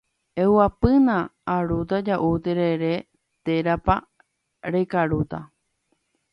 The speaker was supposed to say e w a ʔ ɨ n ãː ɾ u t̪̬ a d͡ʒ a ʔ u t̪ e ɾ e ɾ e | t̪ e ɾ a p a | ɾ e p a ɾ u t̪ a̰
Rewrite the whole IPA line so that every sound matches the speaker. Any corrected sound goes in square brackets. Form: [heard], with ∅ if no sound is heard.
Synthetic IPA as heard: e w a [p] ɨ n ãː ɾ u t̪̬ a d͡ʒ a ʔ u t̪ e ɾ e ɾ e | t̪ e ɾ a p a | ɾ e [k] a ɾ u t̪ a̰